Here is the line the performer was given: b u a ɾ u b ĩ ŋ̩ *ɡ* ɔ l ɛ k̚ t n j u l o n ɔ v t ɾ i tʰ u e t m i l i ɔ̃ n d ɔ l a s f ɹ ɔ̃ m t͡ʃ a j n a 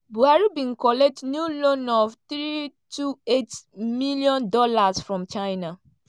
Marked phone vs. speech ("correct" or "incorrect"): incorrect